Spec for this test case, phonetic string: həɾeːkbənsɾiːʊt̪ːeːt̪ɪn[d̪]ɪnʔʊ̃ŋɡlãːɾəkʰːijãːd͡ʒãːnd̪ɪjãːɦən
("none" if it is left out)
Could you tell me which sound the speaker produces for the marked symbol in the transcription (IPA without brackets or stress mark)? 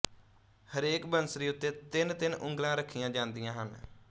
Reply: t̪